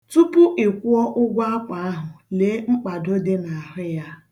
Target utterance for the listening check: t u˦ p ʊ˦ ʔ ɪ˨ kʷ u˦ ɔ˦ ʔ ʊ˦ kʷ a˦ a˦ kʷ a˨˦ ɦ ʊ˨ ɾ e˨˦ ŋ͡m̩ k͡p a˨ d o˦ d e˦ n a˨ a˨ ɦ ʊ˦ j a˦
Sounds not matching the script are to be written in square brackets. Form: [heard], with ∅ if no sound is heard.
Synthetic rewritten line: t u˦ p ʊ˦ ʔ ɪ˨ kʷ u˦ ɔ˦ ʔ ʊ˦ [ɡʷ] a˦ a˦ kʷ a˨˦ ɦ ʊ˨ [l] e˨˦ ŋ͡m̩ k͡p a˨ d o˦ d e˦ n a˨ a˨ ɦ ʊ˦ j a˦